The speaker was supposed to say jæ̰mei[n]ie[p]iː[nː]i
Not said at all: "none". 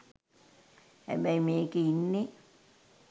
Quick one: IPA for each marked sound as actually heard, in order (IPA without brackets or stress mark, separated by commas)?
m, k, nː